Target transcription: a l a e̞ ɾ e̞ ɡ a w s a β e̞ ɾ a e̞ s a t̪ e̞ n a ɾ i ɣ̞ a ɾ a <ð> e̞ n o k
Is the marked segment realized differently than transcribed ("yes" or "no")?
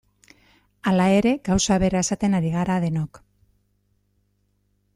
no